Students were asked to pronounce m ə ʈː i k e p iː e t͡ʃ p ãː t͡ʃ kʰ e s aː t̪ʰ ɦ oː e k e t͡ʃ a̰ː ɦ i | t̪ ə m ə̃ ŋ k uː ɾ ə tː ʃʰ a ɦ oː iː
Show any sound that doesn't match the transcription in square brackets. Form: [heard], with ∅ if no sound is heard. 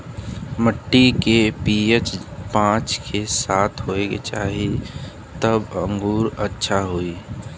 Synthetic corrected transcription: m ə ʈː i k e p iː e t͡ʃ p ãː t͡ʃ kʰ e s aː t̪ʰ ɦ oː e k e t͡ʃ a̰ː ɦ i | t̪ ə [b] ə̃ ŋ [ɡ] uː ɾ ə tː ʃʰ a ɦ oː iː